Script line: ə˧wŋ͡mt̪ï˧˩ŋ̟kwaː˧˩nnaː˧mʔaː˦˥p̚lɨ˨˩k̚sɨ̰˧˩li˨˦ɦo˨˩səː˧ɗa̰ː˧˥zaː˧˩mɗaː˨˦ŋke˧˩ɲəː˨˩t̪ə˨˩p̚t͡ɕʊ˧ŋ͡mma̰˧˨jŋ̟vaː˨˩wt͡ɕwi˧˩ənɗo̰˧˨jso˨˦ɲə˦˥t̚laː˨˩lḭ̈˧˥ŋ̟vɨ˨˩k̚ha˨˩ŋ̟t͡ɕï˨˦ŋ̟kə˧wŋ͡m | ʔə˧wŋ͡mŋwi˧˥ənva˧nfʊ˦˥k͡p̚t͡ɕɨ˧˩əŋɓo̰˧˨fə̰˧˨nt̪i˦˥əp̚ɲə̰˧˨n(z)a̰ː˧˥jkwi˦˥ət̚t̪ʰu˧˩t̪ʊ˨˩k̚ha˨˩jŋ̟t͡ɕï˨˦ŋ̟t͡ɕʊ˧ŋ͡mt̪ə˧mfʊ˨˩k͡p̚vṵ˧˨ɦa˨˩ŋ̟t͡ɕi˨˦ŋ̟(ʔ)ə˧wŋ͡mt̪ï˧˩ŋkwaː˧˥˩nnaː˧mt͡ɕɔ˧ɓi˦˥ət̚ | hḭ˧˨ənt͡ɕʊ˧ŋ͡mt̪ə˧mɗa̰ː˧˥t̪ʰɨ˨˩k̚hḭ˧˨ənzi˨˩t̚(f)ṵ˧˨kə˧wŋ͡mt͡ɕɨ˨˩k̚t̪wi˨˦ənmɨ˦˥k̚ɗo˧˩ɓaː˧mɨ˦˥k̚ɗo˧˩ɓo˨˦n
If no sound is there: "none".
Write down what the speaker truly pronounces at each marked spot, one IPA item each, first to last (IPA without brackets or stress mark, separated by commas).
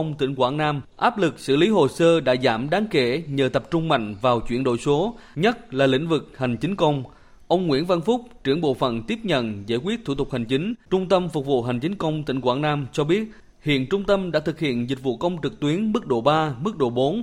z, k, v